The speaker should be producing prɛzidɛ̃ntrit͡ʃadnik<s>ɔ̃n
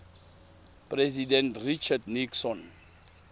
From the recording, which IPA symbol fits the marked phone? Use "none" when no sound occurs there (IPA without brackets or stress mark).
s